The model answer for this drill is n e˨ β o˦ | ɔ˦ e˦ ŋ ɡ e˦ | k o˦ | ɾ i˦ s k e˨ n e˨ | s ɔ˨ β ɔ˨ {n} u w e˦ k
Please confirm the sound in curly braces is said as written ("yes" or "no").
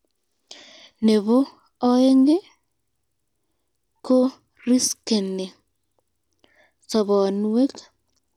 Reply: yes